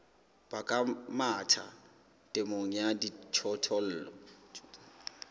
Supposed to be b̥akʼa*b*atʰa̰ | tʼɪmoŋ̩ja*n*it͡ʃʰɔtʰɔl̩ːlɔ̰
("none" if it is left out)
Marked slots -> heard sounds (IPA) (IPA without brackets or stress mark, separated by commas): m, d